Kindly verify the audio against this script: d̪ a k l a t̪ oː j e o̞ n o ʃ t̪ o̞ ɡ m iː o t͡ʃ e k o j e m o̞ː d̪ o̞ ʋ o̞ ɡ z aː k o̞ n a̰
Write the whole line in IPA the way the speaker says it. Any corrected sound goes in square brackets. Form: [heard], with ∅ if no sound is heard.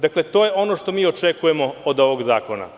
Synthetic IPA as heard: d̪ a k l [e] t̪ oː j e o̞ n o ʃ t̪ o̞ [∅] m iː o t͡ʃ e k [u] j e m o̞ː d̪ o̞ ʋ o̞ ɡ z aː k o̞ n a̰